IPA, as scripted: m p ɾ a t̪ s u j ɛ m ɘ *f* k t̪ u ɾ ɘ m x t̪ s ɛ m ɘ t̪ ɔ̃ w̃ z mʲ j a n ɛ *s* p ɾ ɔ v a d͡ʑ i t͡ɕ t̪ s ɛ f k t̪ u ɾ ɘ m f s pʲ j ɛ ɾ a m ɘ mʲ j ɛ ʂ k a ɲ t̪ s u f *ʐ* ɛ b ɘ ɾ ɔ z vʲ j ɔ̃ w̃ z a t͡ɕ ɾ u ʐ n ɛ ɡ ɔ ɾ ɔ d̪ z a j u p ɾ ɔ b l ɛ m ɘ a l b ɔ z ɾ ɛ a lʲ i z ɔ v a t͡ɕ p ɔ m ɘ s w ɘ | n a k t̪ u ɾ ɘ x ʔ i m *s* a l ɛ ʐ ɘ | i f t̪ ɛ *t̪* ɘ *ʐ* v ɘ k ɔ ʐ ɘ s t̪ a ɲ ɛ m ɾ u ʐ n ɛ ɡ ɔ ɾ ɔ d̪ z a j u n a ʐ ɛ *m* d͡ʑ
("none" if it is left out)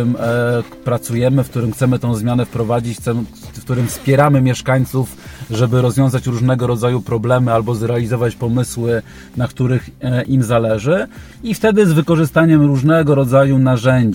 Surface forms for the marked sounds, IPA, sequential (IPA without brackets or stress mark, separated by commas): f, f, ʐ, z, d̪, z, ɲ